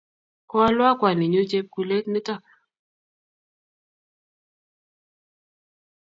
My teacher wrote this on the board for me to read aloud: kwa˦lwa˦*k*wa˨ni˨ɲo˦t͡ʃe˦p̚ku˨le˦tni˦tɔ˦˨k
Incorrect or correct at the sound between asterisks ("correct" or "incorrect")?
correct